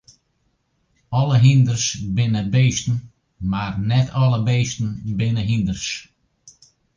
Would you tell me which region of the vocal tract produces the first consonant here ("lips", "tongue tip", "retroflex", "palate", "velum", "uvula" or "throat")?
tongue tip